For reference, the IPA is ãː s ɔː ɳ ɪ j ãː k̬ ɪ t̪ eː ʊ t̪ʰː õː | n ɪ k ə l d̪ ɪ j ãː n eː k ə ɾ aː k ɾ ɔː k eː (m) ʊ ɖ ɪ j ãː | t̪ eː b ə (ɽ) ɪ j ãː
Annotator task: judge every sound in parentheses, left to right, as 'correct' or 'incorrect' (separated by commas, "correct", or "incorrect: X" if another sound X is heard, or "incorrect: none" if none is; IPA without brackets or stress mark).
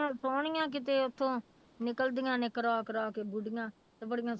incorrect: b, correct